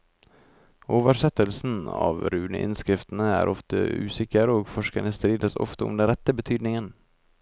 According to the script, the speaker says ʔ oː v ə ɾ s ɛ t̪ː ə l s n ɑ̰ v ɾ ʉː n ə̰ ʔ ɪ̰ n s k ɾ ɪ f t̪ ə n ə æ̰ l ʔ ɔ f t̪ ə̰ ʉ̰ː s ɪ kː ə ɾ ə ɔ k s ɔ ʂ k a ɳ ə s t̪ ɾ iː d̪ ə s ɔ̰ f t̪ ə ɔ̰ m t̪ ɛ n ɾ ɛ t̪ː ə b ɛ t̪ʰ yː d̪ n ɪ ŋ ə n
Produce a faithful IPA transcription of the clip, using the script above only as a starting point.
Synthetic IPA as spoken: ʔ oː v ə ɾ ʂ ɛ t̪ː ə l s n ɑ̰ v ɾ ʉː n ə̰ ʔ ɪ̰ n s k ɾ ɪ f t̪ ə n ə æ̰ ɾ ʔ ɔ f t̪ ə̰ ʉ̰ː s ɪ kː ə ɾ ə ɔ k f ɔ ʂ k a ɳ ə s t̪ ɾ iː d̪ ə s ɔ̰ f t̪ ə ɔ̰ m d̪ ɛ n ɾ ɛ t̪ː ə b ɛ t̪ʰ yː d̪ n ɪ ŋ ə n